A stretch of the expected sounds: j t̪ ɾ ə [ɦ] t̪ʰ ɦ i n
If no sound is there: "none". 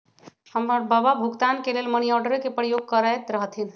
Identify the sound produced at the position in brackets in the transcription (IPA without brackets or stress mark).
ɦ